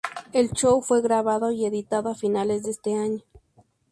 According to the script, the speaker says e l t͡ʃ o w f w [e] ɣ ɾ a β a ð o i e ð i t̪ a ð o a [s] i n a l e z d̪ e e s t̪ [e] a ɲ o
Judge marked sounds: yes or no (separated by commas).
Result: yes, no, yes